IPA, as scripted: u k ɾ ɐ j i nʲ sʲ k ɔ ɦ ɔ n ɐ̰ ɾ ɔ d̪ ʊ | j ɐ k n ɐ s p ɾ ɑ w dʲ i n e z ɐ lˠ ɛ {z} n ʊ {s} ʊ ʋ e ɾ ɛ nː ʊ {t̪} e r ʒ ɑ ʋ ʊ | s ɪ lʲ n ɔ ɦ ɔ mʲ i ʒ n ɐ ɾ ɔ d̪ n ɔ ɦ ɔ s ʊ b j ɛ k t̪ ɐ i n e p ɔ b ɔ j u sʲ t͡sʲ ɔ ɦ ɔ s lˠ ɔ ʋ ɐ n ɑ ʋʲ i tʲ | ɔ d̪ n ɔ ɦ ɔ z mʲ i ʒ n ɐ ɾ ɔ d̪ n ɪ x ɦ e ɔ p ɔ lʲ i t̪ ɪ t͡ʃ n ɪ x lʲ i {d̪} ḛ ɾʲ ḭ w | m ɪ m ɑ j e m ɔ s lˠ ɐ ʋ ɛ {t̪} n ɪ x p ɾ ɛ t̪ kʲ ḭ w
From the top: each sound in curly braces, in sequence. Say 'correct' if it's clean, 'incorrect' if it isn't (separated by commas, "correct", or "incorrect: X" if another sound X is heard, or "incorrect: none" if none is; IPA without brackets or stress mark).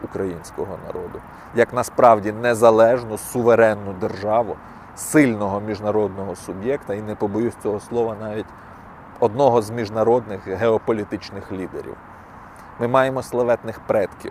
incorrect: ʒ, correct, incorrect: d̪, correct, correct